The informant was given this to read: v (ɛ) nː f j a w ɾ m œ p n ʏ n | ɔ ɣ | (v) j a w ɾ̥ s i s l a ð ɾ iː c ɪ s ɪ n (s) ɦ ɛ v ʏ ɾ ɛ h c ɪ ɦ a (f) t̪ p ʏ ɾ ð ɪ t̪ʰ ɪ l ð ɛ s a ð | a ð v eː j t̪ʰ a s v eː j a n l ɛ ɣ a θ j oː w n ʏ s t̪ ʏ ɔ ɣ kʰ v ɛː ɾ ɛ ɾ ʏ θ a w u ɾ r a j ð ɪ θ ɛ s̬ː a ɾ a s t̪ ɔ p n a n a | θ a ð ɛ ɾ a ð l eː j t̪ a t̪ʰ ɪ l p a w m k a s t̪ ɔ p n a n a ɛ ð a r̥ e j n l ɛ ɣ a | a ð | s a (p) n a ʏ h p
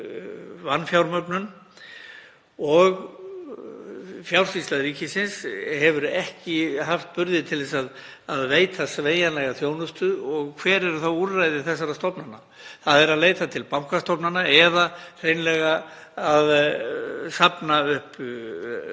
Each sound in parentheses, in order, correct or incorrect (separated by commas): incorrect, incorrect, correct, correct, correct